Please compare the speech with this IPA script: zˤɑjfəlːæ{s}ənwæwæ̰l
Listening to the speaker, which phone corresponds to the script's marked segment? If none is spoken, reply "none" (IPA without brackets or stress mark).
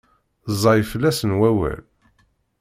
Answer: s